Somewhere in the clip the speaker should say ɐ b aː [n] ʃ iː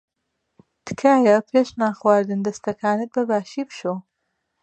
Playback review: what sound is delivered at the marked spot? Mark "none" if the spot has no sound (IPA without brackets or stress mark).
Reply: none